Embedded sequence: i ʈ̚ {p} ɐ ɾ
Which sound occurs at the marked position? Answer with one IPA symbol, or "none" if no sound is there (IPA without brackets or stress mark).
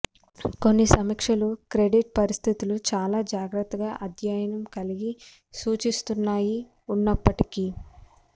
p